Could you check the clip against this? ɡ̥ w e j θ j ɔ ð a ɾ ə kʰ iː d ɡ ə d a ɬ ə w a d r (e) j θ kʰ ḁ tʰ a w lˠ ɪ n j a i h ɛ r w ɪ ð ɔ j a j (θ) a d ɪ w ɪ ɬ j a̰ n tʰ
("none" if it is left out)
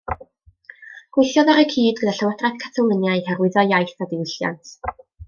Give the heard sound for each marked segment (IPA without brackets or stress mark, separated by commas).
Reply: a, θ